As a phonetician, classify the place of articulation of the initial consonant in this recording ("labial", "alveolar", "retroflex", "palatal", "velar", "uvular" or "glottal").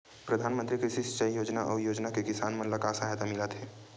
labial